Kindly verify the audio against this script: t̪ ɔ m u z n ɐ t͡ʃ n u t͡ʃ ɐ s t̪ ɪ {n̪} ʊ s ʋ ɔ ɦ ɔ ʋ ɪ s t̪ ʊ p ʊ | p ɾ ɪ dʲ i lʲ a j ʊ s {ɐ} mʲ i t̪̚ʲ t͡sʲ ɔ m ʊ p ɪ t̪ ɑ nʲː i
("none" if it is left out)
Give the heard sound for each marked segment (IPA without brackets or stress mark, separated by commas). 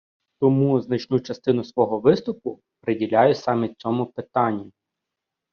n̪, ɑ